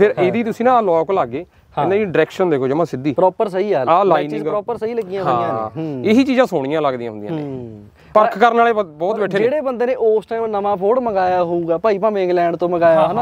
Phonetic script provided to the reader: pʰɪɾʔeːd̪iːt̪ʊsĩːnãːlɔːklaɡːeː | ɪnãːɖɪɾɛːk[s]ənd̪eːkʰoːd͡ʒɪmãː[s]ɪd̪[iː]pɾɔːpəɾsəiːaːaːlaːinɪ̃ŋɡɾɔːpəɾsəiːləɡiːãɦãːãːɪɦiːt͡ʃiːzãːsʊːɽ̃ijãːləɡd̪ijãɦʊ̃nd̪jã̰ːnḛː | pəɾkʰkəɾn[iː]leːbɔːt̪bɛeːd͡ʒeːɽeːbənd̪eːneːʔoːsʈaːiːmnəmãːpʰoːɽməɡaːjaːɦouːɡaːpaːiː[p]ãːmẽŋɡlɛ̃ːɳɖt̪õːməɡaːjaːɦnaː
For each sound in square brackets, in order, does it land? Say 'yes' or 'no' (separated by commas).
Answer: no, yes, yes, no, yes